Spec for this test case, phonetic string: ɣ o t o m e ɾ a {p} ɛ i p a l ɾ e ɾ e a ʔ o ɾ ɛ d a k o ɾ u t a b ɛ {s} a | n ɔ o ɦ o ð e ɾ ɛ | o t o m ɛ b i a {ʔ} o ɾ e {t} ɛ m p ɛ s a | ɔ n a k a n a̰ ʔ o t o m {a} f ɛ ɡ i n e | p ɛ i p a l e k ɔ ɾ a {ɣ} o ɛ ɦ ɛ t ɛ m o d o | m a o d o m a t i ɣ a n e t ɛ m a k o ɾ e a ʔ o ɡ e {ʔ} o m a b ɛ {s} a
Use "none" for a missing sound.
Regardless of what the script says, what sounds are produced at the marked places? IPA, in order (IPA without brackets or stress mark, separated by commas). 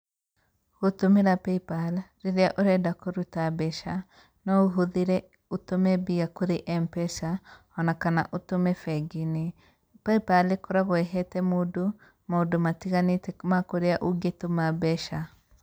p, ʃ, k, ʔ, ɛ, ɣ, t, ʃ